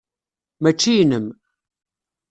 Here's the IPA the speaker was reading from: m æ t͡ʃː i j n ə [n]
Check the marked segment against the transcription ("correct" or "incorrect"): incorrect